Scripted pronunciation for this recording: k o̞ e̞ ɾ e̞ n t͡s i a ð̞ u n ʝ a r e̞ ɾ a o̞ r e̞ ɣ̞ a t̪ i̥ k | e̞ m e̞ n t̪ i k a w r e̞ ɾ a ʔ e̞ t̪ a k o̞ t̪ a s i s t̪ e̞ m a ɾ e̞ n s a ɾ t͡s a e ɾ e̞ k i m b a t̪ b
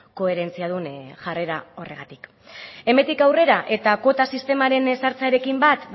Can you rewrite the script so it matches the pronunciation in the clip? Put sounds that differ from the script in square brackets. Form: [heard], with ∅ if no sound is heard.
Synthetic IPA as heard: k o̞ e̞ ɾ e̞ n t͡s i a ð̞ u n ʝ a r e̞ ɾ a o̞ r e̞ ɣ̞ a t̪ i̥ k | e̞ m e̞ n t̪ i k a w r e̞ ɾ a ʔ e̞ t̪ a k o̞ t̪ a s i s t̪ e̞ m a ɾ e̞ n s a ɾ t͡s a e ɾ e̞ k i m b a t̪ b

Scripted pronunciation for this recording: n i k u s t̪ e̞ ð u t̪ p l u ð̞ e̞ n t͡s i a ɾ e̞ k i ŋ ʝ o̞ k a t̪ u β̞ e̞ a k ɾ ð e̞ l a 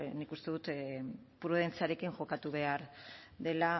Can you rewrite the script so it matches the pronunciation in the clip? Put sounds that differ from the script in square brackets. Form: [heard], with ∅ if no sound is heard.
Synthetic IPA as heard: n i k u s t̪ e̞ ð u t̪ p [ɾ] u ð̞ e̞ n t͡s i a ɾ e̞ k i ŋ ʝ o̞ k a t̪ u β̞ e̞ a [∅] ɾ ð e̞ l a

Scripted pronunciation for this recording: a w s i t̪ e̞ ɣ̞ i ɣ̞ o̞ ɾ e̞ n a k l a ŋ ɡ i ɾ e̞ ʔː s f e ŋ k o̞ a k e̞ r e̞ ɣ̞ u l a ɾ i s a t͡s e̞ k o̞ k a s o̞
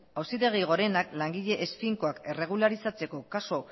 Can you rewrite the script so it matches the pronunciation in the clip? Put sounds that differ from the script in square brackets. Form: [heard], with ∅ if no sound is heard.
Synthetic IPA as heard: a w s i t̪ e̞ ɣ̞ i ɣ̞ o̞ ɾ e̞ n a k l a ŋ ɡ i [ʎ] e̞ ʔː s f [i] ŋ k o̞ a k e̞ r e̞ ɣ̞ u l a ɾ i s a t͡s e̞ k o̞ k a s o̞

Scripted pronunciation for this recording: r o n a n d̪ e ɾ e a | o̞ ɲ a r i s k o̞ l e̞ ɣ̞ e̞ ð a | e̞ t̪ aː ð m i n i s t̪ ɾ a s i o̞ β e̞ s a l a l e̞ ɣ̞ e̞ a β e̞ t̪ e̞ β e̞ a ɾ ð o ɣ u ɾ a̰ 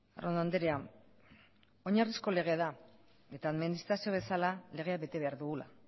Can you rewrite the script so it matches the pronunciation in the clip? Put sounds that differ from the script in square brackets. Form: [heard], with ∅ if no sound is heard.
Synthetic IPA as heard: r o n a n d̪ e ɾ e a | o̞ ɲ a r i s k o̞ l e̞ ɣ̞ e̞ ð a | e̞ t̪ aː ð m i n i s t̪ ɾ a s i o̞ β e̞ s a l a l e̞ ɣ̞ e̞ a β e̞ t̪ e̞ β e̞ a ɾ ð [u] ɣ u [l] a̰

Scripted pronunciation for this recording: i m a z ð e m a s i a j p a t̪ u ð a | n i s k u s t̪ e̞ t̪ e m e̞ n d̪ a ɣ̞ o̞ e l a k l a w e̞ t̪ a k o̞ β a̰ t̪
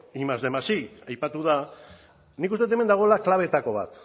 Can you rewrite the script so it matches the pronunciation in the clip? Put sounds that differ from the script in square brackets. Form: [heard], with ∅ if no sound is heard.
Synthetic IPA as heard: i m a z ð e m a s i a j p a t̪ u ð a | n i [∅] k u s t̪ e̞ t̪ e m e̞ n d̪ a ɣ̞ o̞ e l a k l a [β] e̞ t̪ a k o̞ β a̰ t̪

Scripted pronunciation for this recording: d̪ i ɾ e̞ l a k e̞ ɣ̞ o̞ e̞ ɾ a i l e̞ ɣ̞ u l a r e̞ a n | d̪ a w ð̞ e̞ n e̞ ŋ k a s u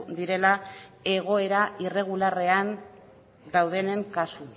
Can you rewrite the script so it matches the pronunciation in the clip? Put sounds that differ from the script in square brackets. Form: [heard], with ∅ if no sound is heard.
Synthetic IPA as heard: d̪ i ɾ e̞ l a [∅] e̞ ɣ̞ o̞ e̞ ɾ a i [r] e̞ ɣ̞ u l a r e̞ a n | d̪ a w ð̞ e̞ n e̞ ŋ k a s u

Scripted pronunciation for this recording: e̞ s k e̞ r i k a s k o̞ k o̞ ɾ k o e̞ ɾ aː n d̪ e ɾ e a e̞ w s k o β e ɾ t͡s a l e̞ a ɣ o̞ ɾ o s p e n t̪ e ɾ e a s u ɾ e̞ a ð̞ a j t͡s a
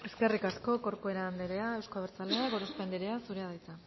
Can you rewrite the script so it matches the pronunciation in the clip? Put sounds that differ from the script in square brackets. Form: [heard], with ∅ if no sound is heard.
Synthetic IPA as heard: e̞ s k e̞ r i k a s k o̞ k o̞ ɾ k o e̞ ɾ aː n d̪ e ɾ e a e̞ w s k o β e ɾ t͡s a l e̞ a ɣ o̞ ɾ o s p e n [d̪] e ɾ e a s u ɾ e̞ a ð̞ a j t͡s a

